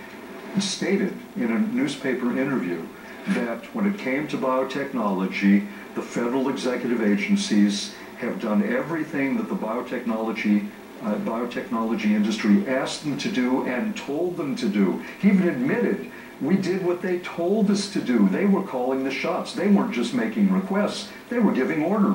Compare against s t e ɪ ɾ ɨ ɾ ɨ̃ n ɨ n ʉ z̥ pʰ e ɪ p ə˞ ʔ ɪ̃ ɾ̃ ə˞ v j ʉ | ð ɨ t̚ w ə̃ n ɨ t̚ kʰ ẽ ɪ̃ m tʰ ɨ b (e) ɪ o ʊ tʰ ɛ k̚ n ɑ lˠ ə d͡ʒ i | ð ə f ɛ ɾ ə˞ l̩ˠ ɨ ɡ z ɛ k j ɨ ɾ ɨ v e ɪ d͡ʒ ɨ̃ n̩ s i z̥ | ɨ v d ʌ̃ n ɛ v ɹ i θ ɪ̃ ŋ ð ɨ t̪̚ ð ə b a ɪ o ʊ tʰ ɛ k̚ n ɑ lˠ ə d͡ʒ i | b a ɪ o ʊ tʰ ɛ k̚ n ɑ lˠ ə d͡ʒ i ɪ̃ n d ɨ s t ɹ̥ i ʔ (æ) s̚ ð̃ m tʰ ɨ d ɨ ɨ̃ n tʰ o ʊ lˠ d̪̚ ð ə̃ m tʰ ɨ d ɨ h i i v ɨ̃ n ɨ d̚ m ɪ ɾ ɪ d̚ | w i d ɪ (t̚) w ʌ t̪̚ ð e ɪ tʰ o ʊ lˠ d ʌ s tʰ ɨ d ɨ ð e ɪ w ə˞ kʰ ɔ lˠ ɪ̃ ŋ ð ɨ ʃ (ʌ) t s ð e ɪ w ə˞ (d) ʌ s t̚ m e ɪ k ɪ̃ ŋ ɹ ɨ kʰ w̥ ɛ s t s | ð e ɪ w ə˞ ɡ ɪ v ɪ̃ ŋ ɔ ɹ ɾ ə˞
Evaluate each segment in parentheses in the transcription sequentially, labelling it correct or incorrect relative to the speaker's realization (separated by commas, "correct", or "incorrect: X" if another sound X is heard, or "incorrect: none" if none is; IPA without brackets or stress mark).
incorrect: a, correct, incorrect: d̚, incorrect: ɑ, incorrect: d͡ʒ